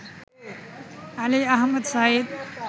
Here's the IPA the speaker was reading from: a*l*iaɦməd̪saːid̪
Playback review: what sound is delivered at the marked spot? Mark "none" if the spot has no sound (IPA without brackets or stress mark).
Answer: l